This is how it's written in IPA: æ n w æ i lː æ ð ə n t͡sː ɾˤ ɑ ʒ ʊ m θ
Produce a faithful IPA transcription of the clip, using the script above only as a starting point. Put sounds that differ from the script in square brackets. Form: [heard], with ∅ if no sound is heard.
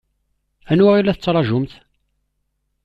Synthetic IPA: æ n w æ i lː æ [θ] ə [∅] t͡sː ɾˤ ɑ ʒ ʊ m θ